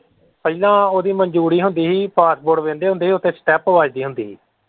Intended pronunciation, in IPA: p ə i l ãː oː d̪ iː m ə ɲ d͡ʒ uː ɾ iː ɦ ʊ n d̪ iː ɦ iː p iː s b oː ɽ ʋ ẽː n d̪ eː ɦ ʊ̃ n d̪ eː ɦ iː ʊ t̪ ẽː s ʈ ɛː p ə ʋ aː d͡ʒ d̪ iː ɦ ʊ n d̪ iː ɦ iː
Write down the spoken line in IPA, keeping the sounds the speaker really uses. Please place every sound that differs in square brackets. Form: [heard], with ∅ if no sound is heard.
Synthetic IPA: p ə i l ãː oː d̪ iː m ə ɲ d͡ʒ uː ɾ iː ɦ ʊ n d̪ iː ɦ iː p [aː] s b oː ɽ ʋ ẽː n d̪ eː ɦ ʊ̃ n d̪ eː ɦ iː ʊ t̪ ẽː s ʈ ɛː p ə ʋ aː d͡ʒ d̪ iː ɦ ʊ n d̪ iː ɦ iː